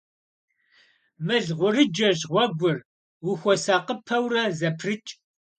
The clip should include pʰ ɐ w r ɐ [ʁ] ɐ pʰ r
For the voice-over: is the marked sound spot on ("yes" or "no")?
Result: no